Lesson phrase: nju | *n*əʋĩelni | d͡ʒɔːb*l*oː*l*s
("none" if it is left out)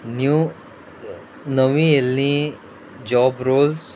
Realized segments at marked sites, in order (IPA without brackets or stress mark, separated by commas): n, ɾ, l